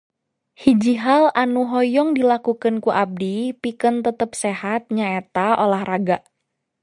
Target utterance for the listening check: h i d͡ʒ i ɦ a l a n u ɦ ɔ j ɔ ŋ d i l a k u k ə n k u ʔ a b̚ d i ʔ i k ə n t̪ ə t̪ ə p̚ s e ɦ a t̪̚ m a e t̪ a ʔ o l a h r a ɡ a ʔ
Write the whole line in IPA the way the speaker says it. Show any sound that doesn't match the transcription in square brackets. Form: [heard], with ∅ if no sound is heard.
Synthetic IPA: h i d͡ʒ i ɦ a l a n u ɦ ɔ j ɔ ŋ d i l a k u k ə n k u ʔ a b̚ d i [p] i k ə n t̪ ə t̪ ə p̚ s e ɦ a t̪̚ [ɲ] a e t̪ a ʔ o l a h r a ɡ a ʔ